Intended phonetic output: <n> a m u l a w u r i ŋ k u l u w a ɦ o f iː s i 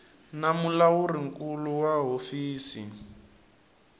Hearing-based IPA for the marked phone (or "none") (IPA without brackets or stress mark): n